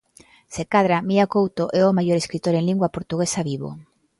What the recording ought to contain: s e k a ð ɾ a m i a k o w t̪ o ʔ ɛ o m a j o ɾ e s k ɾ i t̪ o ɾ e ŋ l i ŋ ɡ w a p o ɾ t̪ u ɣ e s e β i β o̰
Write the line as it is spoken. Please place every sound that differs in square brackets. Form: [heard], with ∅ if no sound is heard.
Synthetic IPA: s e k a ð ɾ a m i a k o w t̪ o ʔ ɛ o m a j o ɾ e s k ɾ i t̪ o ɾ e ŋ l i ŋ ɡ w a p o ɾ t̪ u ɣ e s [a] β i β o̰